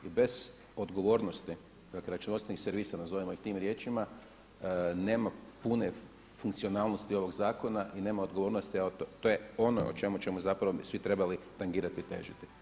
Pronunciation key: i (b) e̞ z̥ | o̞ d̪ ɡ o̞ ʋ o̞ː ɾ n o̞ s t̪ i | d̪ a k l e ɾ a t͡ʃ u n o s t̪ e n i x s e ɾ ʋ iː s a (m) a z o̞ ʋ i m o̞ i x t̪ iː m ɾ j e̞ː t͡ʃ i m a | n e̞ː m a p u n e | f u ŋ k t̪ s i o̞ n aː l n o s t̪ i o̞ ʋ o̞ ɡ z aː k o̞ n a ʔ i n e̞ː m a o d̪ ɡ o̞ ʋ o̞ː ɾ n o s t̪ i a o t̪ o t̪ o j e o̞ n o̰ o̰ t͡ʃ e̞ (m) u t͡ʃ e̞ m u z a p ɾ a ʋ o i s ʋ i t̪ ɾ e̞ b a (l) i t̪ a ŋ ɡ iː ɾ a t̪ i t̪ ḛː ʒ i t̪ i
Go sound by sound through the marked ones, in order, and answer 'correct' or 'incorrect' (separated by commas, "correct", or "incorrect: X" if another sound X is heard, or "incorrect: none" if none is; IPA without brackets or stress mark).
correct, incorrect: n, correct, correct